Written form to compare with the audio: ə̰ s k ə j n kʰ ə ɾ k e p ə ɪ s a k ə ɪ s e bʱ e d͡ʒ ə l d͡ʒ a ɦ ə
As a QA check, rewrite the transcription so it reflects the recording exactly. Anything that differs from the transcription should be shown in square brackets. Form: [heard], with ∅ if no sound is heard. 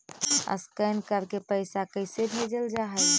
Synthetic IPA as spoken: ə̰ s k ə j n [k] ə ɾ k e p ə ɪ s a k ə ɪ s e bʱ e d͡ʒ ə l d͡ʒ a ɦ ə